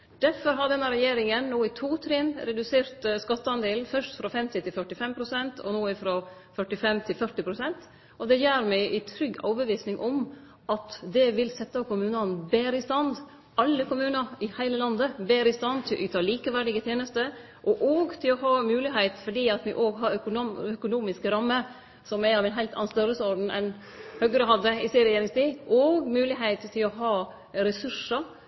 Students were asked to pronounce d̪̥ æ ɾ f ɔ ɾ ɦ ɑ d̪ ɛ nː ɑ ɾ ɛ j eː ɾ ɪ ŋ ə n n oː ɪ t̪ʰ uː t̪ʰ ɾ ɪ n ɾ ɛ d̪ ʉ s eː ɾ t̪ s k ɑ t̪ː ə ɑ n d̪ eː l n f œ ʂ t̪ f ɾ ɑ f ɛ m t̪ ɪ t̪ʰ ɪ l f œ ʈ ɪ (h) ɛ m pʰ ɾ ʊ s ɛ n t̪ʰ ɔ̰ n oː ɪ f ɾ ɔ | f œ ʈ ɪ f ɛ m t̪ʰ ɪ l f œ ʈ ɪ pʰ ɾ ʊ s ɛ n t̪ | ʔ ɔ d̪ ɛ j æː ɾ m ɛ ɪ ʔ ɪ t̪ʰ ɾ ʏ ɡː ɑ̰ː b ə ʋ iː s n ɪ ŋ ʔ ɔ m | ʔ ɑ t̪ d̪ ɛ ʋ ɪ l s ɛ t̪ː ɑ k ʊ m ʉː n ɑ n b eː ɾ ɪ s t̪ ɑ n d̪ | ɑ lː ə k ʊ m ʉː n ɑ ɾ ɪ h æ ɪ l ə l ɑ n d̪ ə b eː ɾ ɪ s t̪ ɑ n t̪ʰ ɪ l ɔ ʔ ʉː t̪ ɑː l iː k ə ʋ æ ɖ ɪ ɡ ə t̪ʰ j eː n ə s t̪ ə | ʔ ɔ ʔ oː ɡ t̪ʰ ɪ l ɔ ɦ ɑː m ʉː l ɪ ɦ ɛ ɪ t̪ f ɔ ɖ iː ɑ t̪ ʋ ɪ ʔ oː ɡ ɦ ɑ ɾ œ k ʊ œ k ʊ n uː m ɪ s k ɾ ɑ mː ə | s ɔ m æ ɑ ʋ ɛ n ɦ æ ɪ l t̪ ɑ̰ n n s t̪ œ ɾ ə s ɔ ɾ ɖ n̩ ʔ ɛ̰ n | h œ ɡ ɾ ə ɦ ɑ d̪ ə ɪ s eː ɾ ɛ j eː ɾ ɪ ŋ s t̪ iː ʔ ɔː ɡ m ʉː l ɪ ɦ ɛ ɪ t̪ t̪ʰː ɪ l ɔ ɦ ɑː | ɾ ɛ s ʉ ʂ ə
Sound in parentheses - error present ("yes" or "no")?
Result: yes